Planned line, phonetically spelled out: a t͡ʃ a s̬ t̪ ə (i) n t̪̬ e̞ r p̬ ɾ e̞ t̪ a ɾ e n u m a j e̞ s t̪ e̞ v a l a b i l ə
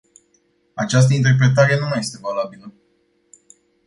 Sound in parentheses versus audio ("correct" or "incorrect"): correct